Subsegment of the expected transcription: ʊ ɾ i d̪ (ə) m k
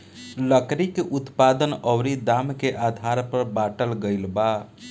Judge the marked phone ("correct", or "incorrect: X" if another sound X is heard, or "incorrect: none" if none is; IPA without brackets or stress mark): incorrect: a